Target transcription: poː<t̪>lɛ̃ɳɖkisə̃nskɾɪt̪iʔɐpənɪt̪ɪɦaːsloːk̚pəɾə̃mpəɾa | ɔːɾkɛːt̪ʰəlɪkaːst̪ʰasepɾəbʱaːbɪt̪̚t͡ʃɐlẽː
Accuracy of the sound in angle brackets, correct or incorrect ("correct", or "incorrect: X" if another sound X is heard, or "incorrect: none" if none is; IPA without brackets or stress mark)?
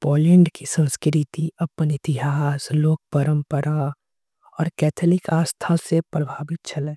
incorrect: none